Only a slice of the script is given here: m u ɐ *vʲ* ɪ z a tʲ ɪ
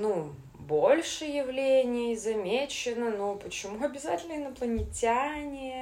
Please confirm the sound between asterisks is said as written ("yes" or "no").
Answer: no